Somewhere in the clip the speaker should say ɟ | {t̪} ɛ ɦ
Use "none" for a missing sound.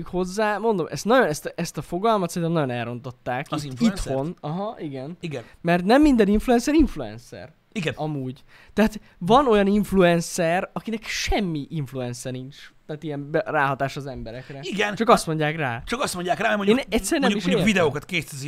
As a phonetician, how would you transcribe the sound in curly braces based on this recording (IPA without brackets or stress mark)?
t̪